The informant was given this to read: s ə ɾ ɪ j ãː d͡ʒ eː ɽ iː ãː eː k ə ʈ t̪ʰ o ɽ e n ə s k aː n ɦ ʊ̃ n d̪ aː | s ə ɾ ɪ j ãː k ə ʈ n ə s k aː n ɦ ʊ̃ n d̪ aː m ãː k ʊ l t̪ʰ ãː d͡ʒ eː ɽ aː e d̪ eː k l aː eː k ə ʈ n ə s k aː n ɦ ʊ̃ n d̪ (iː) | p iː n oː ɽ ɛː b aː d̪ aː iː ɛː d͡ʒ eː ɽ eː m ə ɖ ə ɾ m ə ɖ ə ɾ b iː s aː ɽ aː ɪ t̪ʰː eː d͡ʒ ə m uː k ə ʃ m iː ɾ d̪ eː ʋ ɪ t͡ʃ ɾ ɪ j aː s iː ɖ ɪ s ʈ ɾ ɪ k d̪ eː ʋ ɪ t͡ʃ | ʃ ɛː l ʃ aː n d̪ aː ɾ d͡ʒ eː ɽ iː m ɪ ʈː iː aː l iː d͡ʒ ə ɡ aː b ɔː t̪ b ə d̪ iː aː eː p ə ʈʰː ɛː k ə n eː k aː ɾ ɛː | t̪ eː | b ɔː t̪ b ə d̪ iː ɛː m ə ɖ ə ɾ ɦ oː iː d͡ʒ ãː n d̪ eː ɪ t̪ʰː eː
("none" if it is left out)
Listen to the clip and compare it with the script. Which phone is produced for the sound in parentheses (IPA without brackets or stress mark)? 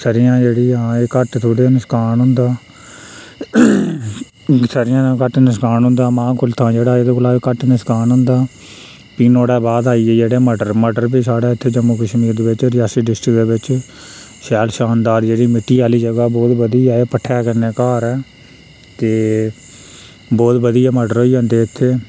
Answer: aː